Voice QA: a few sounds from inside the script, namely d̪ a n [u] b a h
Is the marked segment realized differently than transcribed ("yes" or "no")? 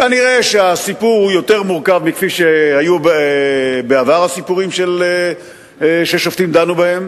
no